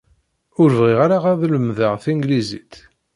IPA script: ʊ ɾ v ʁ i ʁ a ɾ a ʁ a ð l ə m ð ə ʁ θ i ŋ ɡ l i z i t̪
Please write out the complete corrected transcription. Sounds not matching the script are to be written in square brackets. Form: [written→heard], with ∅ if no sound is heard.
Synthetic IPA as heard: ʊ ɾ v ʁ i ʁ a ɾ a ʁ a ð l ə m ð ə ʁ θ i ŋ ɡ l i z i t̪